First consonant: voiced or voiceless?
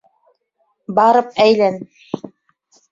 voiced